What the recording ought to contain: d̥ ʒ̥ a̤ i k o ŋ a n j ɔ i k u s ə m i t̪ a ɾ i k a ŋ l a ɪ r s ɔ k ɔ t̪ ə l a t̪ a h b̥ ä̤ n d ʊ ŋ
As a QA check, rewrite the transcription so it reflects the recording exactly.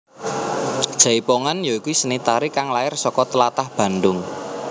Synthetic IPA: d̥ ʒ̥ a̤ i p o ŋ a n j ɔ i k u s ə n i t̪ a ɾ i k a ŋ l a ɪ r s ɔ k ɔ t̪ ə l a t̪ a h b̥ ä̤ n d ʊ ŋ